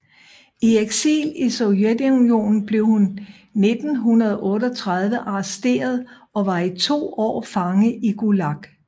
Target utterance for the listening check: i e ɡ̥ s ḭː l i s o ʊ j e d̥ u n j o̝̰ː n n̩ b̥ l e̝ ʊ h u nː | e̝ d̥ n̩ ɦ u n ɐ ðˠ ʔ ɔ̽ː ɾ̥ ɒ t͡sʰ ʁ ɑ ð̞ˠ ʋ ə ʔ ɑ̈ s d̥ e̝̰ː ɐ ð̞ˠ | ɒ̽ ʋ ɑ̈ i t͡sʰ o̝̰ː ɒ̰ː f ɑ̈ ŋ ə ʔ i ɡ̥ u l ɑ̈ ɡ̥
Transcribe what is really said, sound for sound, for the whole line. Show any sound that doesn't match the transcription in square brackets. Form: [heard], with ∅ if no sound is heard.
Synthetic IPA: i e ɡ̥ s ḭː l i s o ʊ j e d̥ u n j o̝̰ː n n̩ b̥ l e̝ ʊ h u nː | e̝ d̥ n̩ ɦ u n ɐ ðˠ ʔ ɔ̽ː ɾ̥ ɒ t͡sʰ ʁ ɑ ð̞ˠ ʋ ə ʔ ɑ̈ s d̥ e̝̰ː ɐ ð̞ˠ | ɒ̽ ʋ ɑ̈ i t͡sʰ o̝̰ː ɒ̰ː f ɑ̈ ŋ ə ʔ i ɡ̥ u l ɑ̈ ɡ̥